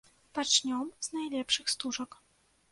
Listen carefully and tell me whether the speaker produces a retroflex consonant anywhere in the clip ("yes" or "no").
yes